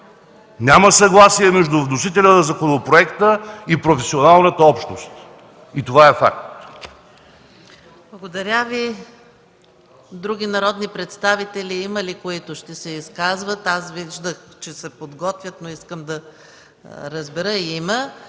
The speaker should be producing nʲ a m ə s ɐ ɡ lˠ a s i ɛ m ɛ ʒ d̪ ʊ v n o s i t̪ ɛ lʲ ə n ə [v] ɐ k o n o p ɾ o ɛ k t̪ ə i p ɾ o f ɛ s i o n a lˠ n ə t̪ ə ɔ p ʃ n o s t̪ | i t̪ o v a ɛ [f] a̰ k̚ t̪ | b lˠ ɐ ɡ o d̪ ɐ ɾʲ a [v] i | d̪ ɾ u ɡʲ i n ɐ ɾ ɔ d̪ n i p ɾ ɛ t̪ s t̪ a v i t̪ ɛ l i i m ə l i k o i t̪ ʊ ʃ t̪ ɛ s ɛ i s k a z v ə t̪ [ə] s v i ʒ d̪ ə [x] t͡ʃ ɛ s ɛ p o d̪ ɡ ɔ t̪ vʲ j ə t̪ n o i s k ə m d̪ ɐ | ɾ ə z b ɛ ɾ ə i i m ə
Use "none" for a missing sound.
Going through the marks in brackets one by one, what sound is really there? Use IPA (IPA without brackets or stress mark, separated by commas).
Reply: z, f, v, a, x